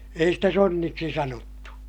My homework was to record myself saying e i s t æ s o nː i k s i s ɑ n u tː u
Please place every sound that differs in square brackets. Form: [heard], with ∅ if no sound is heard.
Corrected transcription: e i s t æ s o nː i k s i s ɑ n [o] tː u